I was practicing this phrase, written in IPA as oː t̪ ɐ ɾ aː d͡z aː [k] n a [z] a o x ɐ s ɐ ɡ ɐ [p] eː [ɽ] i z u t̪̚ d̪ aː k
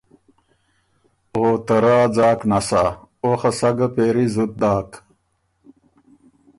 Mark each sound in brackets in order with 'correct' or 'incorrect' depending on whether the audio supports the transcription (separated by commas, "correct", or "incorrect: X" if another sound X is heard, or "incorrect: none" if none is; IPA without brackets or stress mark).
correct, incorrect: s, correct, incorrect: ɾ